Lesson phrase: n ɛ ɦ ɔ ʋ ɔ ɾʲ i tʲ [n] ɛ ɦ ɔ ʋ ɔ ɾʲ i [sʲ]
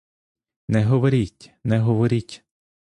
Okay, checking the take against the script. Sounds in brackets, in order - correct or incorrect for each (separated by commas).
correct, incorrect